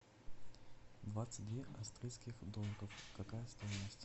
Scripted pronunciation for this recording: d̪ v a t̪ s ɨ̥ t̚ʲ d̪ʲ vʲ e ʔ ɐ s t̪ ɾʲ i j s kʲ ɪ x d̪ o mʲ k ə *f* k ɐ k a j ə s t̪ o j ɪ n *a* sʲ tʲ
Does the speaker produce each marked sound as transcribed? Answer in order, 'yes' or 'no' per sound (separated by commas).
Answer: yes, no